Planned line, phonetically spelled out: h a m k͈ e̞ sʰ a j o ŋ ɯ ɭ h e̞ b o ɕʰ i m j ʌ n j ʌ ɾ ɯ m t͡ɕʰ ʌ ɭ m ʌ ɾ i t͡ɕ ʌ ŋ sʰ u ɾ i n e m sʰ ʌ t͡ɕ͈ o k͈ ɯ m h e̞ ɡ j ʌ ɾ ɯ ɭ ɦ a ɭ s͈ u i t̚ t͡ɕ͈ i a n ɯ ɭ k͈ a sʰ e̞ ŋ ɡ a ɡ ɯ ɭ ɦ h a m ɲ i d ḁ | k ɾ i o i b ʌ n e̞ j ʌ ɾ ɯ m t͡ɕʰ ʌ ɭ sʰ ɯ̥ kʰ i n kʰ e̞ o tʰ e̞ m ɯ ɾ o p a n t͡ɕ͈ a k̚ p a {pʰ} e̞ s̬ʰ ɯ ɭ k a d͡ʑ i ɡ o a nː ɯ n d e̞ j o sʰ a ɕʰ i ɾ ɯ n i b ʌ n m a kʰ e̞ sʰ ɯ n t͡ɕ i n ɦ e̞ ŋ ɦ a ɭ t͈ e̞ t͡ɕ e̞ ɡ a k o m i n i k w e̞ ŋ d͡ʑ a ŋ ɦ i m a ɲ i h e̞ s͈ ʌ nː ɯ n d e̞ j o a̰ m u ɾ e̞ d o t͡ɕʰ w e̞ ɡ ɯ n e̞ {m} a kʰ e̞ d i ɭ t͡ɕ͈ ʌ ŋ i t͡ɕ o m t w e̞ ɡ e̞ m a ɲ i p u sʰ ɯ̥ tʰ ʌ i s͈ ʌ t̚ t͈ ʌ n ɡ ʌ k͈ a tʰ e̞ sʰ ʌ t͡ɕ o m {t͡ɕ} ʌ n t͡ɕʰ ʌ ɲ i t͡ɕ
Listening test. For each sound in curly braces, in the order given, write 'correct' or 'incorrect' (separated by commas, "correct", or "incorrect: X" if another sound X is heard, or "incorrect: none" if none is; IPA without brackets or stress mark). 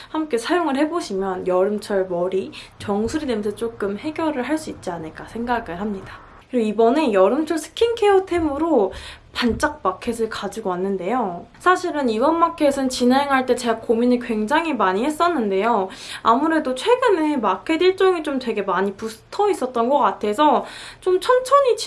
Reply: incorrect: kʰ, correct, incorrect: t͡ɕʰ